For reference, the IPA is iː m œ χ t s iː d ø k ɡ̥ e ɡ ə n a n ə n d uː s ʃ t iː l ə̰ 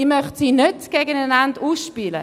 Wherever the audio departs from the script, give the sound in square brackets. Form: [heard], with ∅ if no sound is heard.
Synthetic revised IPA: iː m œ χ t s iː [n] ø [t] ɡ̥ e ɡ ə n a n [a] n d uː s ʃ [p] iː l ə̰

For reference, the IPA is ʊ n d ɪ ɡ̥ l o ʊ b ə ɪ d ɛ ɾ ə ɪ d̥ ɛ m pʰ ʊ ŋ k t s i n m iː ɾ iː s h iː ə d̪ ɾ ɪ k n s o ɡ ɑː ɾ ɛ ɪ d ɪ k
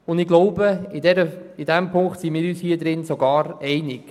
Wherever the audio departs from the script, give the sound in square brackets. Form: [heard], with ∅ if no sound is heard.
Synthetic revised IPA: ʊ n d ɪ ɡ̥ l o ʊ b ə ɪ d ɛ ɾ ə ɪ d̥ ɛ m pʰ ʊ ŋ k t s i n m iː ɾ [yː] s h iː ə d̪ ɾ ɪ [∅] n s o ɡ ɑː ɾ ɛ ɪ [n] ɪ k

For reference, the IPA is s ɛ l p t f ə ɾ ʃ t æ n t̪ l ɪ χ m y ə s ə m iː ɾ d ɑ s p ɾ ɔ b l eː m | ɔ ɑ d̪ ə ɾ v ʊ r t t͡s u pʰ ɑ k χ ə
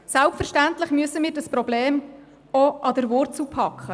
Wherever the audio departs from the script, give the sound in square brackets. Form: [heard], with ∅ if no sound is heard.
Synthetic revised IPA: s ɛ l p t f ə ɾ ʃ t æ n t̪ l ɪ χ m y ə s ə m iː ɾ d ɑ s p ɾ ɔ b l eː m | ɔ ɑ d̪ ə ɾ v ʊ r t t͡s u pʰ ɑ k χ ə

